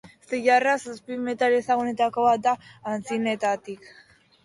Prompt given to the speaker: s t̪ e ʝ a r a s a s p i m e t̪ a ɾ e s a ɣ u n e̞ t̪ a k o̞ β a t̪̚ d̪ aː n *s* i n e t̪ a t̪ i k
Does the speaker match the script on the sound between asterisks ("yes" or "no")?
no